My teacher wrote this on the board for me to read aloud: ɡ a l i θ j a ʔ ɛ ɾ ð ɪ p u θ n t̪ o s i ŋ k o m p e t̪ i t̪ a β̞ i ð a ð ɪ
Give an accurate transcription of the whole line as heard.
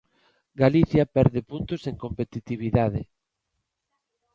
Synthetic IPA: ɡ a l i θ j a p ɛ ɾ ð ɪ p u n t̪ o s e ŋ k o m p e t̪ i t̪ i β̞ i ð a ð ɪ